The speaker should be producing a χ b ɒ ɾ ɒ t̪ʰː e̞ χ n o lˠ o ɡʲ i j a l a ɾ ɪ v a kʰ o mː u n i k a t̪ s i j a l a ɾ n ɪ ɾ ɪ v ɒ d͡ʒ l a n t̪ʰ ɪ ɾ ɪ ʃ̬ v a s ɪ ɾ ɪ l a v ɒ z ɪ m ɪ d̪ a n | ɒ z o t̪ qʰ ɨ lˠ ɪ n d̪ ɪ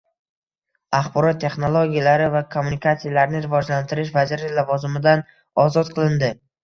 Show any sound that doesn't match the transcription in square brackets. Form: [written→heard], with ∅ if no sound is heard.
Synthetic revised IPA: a χ b ɒ ɾ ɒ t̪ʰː e̞ χ n o lˠ o ɡʲ i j a l a ɾ ɪ v a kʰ o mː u n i k a t̪ s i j a l a ɾ n ɪ ɾ ɪ v ɒ d͡ʒ l a n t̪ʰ ɪ ɾ ɪ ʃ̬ v a [s→z] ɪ ɾ ɪ l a v ɒ z ɪ m ɪ d̪ a n | ɒ z [o→ɒ] t̪ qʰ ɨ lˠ ɪ n d̪ ɪ